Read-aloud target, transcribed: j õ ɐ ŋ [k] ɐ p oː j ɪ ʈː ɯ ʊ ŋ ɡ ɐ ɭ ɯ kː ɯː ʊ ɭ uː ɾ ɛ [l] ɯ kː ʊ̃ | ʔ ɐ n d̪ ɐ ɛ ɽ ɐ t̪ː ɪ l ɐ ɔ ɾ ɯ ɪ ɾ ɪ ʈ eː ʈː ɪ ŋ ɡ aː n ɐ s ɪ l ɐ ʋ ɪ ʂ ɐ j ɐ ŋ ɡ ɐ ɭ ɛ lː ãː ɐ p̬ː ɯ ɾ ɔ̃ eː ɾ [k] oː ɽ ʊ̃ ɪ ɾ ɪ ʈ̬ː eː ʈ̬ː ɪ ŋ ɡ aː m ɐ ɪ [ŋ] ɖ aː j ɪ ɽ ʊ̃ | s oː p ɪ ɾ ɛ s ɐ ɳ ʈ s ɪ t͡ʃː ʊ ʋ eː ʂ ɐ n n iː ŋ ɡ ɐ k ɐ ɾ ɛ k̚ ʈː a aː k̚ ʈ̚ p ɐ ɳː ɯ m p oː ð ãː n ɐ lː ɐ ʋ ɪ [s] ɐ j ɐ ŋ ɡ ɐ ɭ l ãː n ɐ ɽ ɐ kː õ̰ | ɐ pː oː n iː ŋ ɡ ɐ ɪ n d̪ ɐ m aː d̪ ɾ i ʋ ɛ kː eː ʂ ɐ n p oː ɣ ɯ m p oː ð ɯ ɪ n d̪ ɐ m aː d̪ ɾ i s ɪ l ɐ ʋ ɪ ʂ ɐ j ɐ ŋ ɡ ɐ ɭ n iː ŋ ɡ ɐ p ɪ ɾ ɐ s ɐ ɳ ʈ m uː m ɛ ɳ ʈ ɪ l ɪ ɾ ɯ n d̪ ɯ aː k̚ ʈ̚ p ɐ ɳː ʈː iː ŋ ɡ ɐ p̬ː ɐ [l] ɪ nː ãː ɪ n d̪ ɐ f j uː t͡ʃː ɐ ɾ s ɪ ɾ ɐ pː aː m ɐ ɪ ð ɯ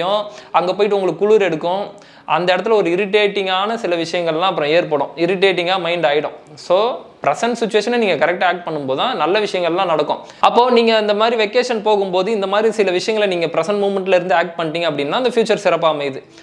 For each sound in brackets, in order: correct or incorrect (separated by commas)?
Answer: incorrect, incorrect, incorrect, incorrect, incorrect, incorrect